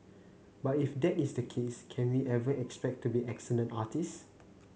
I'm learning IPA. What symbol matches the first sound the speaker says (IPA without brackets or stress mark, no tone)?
b